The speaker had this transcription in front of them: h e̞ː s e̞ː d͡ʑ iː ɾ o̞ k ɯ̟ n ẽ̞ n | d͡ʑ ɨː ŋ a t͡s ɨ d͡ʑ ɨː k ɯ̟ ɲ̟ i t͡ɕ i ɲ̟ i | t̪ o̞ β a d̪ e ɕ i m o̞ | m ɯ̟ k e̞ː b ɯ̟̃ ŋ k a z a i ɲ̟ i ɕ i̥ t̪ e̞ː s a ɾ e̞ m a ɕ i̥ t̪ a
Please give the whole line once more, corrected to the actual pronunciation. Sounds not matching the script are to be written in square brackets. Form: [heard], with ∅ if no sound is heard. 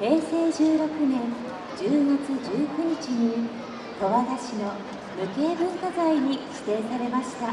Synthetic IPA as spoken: h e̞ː s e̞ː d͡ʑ [ɨː] ɾ o̞ k ɯ̟ n ẽ̞ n | d͡ʑ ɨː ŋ a t͡s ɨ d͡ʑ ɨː k ɯ̟ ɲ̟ i t͡ɕ i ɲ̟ i | t̪ o̞ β a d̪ [a] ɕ i [n] o̞ | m ɯ̟ k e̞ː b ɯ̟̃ ŋ k a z a i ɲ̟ i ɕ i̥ t̪ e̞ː s a ɾ e̞ m a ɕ i̥ t̪ a